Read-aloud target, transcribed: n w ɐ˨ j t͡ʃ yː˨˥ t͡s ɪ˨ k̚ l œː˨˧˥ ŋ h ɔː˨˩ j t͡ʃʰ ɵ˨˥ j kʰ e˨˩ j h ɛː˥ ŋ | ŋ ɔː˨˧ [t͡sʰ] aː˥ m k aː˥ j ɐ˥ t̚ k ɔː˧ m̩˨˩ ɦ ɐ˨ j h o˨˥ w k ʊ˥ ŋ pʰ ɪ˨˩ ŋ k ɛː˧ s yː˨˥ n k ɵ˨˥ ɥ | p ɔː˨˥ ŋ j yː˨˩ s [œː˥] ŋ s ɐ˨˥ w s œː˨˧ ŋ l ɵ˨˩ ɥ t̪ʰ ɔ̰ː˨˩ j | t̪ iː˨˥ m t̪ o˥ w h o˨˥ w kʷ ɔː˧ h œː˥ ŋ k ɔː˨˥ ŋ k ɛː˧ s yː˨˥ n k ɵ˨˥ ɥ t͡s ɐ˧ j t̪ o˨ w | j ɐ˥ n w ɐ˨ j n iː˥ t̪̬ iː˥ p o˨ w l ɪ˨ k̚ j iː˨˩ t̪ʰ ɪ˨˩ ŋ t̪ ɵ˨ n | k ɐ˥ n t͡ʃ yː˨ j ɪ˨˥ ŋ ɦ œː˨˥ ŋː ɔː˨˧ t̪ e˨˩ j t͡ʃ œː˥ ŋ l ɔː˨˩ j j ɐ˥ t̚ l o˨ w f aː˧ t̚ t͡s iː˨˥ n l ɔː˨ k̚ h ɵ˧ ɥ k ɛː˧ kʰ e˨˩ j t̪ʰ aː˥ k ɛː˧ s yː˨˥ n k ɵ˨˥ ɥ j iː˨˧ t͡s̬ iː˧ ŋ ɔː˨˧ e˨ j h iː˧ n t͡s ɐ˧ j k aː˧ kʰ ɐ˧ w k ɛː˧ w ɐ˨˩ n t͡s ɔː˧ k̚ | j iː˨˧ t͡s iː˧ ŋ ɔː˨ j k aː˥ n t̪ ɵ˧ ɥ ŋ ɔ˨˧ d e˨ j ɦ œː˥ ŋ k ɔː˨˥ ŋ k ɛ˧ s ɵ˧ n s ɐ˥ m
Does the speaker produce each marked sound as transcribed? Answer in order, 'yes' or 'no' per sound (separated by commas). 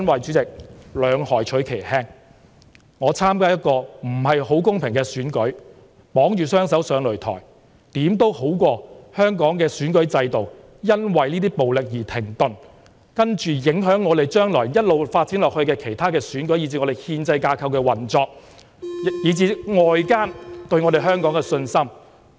yes, yes